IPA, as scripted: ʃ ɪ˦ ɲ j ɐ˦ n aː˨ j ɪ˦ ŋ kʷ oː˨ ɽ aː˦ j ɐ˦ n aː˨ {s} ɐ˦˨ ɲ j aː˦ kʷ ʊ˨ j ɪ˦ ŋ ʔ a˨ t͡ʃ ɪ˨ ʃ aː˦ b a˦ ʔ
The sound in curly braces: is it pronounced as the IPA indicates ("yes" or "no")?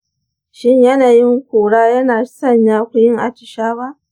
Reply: yes